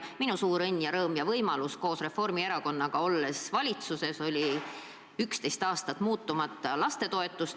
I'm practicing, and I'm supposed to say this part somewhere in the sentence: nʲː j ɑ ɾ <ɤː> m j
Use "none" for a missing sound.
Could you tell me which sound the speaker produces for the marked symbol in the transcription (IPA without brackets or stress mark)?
ɤː